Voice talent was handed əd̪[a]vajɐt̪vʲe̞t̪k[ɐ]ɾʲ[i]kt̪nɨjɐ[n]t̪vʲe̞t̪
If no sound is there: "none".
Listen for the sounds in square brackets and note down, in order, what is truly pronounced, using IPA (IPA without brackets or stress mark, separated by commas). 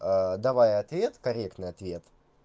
ɐ, ɐ, e, none